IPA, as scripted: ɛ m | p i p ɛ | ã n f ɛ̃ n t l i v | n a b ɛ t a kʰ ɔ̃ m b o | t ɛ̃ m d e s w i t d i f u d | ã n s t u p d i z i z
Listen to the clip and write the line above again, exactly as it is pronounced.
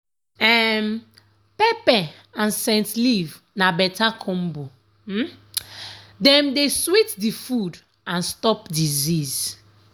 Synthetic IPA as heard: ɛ m | p ɛ p ɛ | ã n s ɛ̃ n t l i v | n a b ɛ t a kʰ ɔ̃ m b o | d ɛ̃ m d e s w i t d i f u d | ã n s t ɔ p d i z i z